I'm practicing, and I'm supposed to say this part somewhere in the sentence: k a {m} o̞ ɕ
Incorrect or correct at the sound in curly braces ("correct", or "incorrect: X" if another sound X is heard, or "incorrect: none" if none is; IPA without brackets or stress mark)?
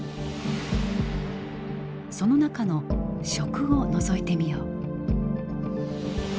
incorrect: n